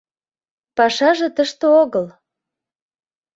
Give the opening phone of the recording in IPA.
p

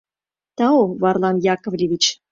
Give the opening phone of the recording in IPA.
t̪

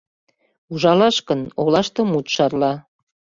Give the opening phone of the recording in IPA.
u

